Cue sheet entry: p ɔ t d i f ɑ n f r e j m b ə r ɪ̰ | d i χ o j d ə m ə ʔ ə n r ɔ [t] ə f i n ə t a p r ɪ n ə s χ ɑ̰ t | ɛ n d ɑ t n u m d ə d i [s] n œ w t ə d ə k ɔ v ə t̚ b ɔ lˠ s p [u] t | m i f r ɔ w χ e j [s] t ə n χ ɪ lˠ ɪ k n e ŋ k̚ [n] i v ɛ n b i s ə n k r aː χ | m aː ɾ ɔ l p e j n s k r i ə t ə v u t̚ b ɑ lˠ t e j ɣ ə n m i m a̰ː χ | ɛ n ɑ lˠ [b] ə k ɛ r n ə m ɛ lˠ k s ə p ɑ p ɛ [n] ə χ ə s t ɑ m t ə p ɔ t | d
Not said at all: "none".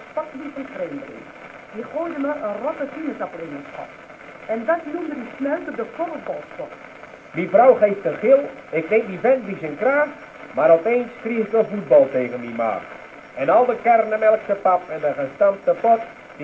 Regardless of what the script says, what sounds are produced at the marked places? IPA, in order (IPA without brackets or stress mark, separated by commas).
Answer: t, s, ɔ, f, d, d, n